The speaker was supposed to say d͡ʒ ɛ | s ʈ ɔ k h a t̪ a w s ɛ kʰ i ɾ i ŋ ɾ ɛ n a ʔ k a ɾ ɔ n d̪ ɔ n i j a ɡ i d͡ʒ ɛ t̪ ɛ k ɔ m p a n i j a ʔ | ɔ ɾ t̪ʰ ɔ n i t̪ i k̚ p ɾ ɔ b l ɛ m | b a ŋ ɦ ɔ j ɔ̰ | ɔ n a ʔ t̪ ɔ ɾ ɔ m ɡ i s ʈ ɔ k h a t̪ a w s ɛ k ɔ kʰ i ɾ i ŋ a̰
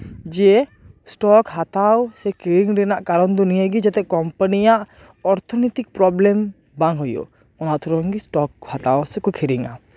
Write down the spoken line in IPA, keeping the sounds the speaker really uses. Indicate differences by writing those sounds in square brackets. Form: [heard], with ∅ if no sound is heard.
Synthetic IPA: d͡ʒ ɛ | s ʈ ɔ k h a t̪ a w s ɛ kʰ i ɾ i ŋ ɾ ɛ n a ʔ k a ɾ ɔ n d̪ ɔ n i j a ɡ i d͡ʒ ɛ t̪ ɛ k ɔ m p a n i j a ʔ | ɔ ɾ t̪ʰ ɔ n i t̪ i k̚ p ɾ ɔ b l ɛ m | b a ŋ ɦ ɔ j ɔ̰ | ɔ n a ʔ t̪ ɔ ɾ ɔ [ŋ] ɡ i s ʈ ɔ k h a t̪ a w s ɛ k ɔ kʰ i ɾ i ŋ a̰